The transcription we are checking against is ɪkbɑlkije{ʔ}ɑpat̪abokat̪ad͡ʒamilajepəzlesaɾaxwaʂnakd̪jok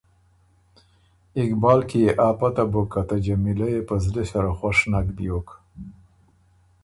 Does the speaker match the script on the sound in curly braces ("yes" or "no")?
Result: yes